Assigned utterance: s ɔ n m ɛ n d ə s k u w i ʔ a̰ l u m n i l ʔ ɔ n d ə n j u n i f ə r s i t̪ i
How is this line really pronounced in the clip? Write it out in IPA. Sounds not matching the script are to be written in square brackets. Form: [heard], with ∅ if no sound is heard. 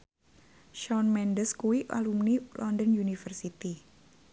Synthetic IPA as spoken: [ʃ] ɔ n m ɛ n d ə s k u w i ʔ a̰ l u m n i l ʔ ɔ n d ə n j u n i f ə r s i t̪ i